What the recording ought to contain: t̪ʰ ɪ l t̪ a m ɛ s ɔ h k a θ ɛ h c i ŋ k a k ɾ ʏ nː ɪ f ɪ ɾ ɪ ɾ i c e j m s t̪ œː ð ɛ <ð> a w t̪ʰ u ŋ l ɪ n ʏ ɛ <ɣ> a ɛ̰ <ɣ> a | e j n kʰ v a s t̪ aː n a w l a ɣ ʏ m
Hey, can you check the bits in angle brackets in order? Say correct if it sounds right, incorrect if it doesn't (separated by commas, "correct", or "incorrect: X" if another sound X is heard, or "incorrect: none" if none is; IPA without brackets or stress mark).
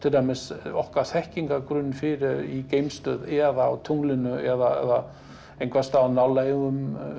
correct, incorrect: ð, incorrect: ð